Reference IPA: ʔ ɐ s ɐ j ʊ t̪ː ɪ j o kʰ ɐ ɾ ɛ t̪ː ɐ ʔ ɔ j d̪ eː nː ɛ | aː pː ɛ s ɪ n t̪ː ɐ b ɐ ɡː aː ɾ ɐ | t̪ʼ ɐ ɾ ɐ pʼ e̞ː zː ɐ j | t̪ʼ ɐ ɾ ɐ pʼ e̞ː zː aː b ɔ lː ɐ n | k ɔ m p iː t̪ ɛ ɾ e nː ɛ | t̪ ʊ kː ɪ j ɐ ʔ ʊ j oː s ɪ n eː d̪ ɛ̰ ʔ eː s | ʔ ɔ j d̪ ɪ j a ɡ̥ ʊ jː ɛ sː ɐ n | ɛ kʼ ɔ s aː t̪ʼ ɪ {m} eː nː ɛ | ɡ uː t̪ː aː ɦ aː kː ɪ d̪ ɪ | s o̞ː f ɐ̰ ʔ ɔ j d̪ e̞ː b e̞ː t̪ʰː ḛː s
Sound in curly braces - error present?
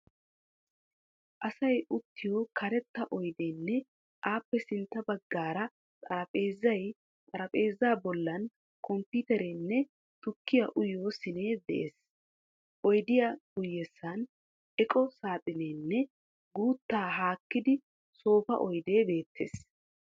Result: yes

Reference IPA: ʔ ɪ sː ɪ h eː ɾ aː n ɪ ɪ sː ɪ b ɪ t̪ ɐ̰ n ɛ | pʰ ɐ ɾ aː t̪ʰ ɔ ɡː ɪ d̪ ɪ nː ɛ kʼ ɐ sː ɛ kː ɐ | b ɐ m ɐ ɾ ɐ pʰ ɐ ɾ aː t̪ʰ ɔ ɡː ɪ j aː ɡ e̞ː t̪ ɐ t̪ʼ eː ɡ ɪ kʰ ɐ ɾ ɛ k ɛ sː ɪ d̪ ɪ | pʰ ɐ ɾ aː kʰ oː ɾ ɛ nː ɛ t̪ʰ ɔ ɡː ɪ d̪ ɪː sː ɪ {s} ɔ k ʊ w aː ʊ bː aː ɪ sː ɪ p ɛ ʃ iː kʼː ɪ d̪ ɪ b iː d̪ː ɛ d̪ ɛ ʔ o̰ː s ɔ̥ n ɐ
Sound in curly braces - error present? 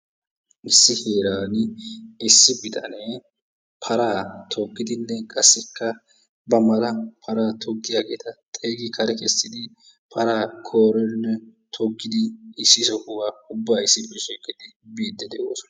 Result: no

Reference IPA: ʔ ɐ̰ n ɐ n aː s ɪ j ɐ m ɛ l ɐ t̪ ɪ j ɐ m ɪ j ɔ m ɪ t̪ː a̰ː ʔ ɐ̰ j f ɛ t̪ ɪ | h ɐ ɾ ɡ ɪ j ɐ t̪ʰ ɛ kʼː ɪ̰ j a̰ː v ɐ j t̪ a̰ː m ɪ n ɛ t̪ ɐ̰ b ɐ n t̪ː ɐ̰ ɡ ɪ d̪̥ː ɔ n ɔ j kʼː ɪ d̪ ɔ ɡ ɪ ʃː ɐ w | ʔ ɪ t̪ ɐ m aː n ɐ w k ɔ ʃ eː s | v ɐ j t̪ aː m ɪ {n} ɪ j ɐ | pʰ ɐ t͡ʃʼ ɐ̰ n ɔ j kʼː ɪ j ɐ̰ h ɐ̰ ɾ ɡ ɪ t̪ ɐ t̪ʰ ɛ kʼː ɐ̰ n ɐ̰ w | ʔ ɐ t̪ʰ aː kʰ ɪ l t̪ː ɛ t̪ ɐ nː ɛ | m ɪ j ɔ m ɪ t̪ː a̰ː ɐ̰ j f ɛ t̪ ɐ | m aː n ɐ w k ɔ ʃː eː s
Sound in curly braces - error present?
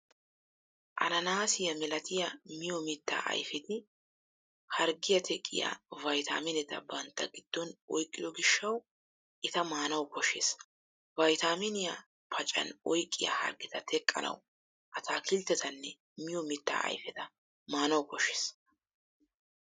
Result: no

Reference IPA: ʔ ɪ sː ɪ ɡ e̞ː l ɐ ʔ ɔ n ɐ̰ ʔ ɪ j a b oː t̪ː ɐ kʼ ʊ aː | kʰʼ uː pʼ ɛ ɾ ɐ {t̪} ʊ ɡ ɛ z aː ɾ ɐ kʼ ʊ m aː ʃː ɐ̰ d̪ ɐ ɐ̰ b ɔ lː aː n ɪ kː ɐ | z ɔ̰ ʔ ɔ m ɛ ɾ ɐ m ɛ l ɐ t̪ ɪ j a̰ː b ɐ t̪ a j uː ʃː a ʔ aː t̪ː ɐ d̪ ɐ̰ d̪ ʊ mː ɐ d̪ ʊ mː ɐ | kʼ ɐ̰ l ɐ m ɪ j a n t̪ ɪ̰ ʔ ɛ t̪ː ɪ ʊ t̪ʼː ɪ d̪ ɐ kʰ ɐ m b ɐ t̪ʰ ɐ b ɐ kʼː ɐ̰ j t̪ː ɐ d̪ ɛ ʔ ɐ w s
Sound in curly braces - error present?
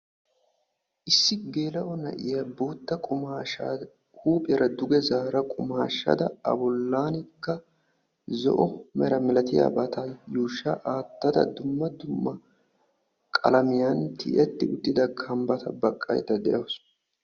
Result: yes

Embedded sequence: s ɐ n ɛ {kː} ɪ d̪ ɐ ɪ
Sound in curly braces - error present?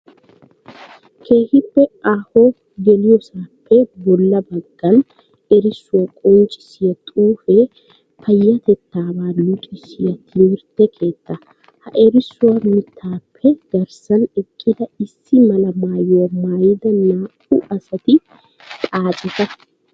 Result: yes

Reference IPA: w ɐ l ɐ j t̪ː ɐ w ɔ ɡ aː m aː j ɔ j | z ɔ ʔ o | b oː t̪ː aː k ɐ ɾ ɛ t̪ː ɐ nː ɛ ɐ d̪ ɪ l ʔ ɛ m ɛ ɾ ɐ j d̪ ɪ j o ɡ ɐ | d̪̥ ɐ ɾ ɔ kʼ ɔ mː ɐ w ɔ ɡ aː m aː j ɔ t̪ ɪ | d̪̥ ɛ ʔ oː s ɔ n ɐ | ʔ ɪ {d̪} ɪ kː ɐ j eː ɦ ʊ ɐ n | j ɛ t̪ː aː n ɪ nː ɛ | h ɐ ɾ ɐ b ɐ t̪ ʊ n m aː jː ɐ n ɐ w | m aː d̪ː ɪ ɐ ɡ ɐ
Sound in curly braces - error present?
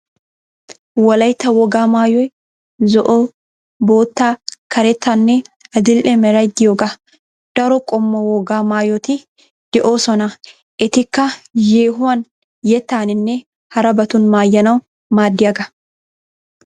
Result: yes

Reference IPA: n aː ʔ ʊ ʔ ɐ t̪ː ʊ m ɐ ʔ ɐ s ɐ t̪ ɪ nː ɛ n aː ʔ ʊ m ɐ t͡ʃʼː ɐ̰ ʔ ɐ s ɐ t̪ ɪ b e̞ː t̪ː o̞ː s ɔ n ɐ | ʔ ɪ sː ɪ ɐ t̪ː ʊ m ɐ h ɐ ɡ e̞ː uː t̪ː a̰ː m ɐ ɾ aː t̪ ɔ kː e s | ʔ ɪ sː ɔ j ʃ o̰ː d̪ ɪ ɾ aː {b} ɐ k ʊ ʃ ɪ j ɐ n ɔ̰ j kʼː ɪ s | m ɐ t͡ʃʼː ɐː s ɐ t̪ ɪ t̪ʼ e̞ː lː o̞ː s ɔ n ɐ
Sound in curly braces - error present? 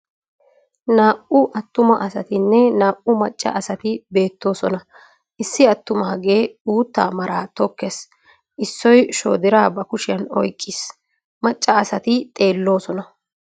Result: no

